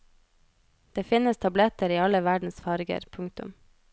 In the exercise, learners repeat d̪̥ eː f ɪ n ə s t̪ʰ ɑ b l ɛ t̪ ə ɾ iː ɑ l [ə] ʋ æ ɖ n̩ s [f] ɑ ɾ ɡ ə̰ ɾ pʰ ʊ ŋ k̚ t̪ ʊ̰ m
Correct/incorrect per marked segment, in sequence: correct, correct

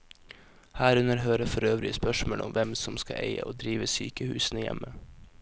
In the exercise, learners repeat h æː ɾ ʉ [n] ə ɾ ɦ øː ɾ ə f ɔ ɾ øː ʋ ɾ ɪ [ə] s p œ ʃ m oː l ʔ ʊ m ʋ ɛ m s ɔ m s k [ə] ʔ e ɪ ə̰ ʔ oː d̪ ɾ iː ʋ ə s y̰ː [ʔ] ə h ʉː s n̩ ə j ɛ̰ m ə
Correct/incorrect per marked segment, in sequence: correct, correct, incorrect, incorrect

